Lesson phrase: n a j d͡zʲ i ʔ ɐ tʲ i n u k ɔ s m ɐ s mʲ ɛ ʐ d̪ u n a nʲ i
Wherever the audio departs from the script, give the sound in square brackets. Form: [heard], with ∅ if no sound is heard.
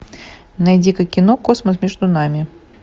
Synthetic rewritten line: n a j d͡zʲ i [k] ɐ [kʲ] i n [ɔ] k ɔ s m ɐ s mʲ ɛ ʐ d̪ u n a [mʲ] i